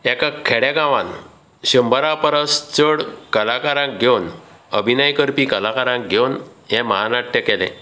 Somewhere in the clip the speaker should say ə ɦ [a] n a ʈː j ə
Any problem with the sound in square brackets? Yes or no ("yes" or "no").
no